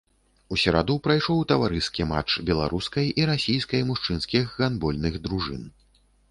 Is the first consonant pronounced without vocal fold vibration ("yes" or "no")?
yes